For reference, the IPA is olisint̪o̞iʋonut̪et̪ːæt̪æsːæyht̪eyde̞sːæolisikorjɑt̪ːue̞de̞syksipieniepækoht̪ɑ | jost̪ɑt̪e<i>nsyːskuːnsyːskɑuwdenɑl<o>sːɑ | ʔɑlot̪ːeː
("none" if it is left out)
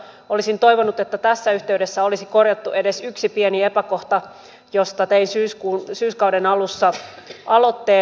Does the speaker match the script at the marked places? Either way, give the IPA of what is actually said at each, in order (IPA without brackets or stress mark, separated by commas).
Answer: i, u